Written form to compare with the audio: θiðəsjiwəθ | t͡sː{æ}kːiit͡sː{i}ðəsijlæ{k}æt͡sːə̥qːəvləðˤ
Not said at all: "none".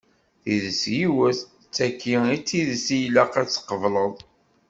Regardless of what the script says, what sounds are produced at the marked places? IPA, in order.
æ, i, q

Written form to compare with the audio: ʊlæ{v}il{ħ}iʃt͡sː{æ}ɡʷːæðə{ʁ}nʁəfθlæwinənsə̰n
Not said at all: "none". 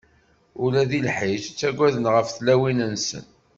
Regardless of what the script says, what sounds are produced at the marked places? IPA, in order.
ð, ħ, æ, none

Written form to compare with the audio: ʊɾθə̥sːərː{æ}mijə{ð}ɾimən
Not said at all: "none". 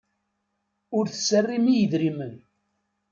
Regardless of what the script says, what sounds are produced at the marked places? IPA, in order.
i, ð

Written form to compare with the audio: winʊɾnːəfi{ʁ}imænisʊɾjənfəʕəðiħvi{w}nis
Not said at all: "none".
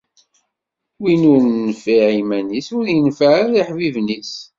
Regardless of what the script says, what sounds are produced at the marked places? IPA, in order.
ʕ, v

